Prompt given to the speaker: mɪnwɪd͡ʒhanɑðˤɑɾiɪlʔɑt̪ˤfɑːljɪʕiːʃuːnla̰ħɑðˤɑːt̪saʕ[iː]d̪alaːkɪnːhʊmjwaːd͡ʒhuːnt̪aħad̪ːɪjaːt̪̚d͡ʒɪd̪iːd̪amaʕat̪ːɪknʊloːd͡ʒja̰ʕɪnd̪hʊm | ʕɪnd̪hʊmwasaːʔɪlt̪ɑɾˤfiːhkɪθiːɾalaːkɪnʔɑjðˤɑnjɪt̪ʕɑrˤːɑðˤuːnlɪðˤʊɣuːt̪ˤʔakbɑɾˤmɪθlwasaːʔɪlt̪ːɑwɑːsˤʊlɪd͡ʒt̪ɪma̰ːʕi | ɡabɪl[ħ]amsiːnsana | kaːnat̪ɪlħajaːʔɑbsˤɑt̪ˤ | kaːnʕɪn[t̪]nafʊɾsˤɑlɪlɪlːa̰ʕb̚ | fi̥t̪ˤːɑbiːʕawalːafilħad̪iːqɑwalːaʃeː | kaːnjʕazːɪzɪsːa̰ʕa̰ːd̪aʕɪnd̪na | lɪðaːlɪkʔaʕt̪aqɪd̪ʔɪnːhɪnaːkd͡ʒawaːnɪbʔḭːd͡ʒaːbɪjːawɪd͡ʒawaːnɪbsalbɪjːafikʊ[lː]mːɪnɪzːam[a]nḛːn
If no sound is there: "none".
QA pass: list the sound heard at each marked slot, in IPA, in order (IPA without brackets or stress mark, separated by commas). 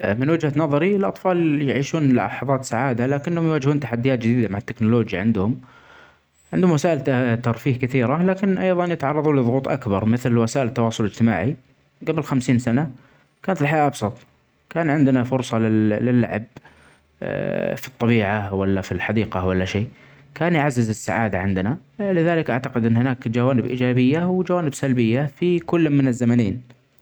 aː, x, d̪, lː, a